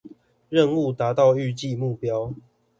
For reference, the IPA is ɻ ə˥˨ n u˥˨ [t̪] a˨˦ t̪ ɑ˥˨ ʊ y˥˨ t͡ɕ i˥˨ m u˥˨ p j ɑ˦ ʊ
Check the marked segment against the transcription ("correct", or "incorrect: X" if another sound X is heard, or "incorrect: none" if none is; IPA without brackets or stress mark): correct